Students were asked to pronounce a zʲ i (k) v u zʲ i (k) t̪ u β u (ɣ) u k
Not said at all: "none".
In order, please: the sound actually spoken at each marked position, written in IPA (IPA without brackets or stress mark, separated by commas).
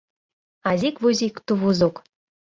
k, k, z